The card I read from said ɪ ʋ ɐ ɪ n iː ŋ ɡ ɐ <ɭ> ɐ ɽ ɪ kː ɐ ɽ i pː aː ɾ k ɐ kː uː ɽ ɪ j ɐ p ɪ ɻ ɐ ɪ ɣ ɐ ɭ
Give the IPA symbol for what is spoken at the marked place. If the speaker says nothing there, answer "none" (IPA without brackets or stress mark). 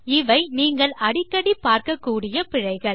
ɭ